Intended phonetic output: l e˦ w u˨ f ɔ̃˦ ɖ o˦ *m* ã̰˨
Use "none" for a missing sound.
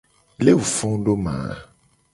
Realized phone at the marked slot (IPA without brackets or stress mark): m